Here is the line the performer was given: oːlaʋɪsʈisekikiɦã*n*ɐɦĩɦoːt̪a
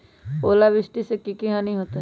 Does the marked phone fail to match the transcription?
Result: no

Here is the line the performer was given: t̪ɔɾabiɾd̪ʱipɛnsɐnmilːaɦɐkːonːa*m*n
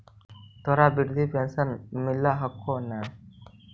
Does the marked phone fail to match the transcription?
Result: yes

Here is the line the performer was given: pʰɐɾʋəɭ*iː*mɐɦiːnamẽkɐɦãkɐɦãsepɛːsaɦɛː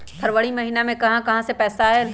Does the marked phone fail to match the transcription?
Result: yes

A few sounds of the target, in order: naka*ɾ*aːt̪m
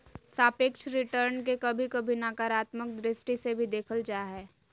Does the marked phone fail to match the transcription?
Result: no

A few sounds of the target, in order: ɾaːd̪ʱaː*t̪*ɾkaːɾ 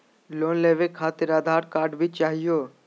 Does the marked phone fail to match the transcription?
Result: yes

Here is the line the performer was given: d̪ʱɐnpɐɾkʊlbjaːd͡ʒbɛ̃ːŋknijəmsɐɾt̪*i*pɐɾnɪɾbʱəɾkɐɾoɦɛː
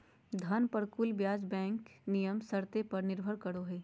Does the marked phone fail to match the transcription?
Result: yes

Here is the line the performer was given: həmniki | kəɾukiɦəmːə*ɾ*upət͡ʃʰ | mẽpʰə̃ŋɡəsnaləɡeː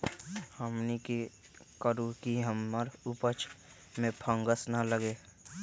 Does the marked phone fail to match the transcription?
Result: no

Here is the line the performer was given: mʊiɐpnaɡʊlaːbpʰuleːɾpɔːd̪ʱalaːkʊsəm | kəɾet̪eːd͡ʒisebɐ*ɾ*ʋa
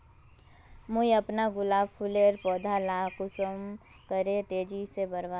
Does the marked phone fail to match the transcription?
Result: no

